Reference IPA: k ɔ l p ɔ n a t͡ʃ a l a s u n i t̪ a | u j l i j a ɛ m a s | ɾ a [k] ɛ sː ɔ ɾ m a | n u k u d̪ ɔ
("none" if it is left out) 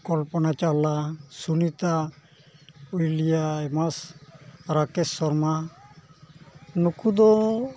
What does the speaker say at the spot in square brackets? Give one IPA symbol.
k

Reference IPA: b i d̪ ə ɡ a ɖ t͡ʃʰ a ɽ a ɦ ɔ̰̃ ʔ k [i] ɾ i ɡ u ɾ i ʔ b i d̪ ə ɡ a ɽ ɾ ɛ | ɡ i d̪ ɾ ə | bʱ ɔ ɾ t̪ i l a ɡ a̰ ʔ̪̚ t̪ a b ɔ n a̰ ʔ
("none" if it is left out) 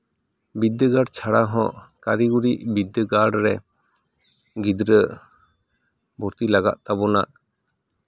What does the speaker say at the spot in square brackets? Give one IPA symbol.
a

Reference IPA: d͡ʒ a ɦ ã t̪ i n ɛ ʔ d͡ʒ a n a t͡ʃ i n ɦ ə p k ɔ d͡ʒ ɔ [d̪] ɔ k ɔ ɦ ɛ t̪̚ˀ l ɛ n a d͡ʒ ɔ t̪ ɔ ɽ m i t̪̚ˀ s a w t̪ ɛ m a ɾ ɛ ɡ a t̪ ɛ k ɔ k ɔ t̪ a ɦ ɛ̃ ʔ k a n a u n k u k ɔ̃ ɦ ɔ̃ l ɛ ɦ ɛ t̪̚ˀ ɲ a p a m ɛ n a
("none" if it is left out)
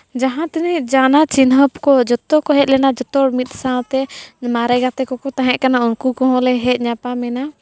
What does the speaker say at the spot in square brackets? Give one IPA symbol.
t̪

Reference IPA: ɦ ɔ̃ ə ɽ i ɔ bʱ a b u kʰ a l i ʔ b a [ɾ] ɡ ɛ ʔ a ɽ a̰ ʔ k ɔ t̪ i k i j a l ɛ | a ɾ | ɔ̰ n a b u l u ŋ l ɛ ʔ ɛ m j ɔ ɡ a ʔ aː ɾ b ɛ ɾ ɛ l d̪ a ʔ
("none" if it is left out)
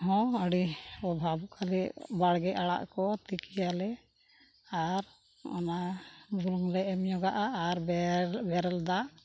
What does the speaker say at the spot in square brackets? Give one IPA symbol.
ɽ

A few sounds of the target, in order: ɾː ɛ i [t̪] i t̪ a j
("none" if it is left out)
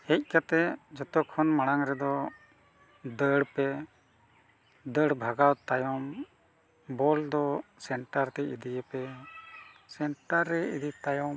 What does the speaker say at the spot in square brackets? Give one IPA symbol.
d̪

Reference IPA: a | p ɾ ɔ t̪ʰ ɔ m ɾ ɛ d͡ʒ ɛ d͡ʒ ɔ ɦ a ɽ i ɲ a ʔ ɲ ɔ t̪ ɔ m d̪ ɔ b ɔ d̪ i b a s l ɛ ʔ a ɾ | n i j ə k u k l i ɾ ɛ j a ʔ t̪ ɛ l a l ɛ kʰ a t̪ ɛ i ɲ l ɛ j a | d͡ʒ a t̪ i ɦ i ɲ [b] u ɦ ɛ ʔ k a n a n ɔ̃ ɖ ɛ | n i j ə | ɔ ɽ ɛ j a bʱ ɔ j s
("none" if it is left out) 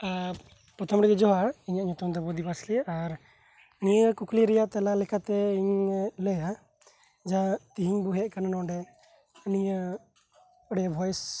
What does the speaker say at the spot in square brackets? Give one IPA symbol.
b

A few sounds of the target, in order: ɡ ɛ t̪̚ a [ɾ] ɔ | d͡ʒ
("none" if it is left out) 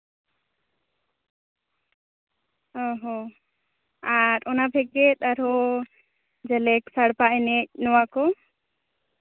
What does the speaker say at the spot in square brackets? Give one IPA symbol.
ɾ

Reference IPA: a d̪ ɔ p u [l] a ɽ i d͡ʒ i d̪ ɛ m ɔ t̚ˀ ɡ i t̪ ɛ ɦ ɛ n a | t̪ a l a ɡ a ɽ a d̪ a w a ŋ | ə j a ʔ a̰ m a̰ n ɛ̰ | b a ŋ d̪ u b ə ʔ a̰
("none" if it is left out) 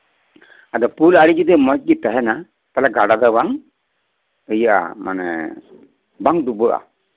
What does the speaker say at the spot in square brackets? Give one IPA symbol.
l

